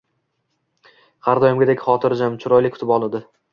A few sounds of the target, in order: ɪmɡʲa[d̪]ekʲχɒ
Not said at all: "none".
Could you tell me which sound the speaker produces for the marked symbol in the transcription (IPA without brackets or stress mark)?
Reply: d̪